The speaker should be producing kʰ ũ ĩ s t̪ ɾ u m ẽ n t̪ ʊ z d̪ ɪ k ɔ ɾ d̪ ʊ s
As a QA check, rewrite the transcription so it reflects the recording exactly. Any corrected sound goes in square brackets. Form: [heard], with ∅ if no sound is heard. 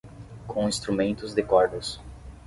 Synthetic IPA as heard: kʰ [õ] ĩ s t̪ ɾ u m ẽ n t̪ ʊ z d̪ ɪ k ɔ ɾ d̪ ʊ s